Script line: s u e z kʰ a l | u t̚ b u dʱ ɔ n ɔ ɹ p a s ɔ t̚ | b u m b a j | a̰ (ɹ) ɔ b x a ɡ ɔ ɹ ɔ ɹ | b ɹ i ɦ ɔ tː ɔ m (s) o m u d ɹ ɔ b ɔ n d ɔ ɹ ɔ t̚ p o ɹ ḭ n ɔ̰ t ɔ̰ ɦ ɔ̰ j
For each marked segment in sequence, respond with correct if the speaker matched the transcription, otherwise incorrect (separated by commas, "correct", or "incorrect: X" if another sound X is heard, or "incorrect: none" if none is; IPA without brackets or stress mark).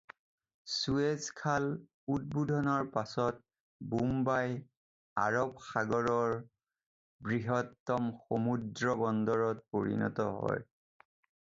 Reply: correct, incorrect: x